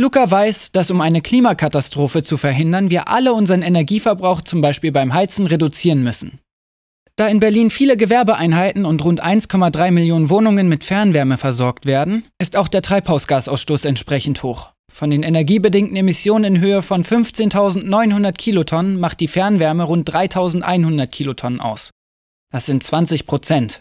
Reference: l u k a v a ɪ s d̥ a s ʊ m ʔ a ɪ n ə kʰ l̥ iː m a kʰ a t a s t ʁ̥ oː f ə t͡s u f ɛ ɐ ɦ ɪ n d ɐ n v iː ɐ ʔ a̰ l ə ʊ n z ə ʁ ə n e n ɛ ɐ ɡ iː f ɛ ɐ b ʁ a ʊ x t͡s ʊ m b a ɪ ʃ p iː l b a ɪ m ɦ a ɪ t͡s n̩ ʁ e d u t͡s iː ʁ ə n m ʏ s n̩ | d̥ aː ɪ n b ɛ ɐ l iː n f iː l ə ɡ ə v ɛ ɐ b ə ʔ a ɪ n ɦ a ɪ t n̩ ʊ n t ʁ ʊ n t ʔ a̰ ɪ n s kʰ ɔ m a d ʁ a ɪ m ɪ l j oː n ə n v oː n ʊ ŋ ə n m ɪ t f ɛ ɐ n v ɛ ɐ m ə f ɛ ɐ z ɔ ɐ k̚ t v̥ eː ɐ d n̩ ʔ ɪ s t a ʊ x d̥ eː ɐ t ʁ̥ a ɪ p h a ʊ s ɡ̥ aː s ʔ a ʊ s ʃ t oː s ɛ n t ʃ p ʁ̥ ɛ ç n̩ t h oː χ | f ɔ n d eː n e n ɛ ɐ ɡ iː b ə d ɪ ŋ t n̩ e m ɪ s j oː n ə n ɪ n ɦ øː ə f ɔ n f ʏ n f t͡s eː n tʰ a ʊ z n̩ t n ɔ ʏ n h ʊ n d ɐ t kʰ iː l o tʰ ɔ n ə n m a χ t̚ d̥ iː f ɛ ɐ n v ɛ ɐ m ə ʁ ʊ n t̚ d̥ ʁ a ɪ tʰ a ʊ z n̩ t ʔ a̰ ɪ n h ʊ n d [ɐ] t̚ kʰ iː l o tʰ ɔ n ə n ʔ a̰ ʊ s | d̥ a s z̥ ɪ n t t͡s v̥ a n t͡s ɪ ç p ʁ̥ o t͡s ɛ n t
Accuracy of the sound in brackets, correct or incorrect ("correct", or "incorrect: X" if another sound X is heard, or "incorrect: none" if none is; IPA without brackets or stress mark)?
correct